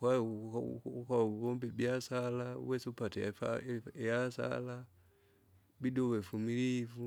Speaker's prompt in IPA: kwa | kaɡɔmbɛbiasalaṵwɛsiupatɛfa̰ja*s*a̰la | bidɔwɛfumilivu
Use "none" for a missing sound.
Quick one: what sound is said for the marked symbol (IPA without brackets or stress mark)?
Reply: s